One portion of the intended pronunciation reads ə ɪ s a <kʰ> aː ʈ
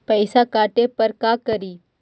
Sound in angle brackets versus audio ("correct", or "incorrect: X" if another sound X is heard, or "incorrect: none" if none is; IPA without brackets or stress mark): incorrect: k